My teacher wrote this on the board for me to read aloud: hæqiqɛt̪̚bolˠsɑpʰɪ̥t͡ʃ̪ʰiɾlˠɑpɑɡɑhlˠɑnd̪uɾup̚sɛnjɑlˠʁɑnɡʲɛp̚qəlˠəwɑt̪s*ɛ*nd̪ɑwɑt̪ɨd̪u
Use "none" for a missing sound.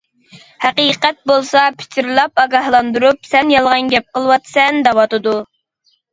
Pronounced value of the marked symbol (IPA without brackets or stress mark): ɛ